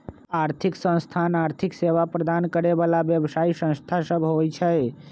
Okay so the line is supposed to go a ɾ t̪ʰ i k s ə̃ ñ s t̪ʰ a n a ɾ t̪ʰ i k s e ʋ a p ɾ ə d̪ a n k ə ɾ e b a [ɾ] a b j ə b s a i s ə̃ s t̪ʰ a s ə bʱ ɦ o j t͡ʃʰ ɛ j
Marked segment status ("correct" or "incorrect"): incorrect